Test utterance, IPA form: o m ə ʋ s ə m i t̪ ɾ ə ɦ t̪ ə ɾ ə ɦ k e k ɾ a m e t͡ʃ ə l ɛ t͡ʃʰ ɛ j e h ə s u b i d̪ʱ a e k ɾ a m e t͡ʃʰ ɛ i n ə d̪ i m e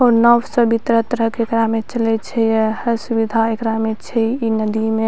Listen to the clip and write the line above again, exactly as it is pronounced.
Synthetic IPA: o n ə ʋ s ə b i t̪ ɾ ə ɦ t̪ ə ɾ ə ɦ k e k ɾ a m e t͡ʃ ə l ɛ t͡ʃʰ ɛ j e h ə s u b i d̪ʱ a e k ɾ a m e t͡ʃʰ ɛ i n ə d̪ i m e